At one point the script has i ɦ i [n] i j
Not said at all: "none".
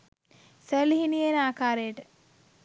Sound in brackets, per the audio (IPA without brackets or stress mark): n